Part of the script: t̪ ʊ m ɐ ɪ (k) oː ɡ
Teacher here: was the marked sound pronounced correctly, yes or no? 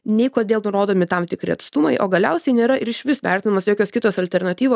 no